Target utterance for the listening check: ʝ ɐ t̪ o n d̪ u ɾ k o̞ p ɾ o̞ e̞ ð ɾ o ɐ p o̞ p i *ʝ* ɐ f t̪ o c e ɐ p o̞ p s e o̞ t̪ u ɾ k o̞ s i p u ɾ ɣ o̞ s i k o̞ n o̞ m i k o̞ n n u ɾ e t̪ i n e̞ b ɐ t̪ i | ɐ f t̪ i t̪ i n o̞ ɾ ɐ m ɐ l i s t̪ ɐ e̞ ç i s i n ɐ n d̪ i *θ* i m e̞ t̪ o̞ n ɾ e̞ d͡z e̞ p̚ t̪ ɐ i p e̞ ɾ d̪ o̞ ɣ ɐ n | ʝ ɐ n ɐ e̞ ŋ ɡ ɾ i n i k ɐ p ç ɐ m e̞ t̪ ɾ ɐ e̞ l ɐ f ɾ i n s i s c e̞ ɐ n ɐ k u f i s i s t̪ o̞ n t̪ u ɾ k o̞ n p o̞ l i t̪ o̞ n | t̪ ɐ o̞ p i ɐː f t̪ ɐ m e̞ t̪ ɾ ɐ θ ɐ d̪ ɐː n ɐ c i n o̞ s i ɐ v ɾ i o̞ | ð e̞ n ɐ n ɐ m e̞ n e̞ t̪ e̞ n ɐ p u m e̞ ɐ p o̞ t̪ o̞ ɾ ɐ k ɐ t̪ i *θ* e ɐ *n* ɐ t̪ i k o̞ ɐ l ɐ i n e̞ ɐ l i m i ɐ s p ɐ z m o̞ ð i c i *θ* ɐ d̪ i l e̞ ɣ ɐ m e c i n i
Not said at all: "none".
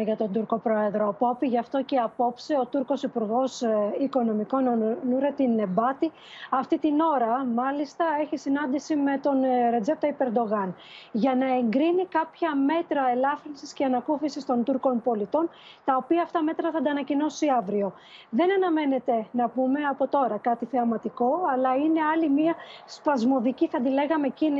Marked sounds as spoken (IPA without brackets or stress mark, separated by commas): ʝ, s, θ, m, θ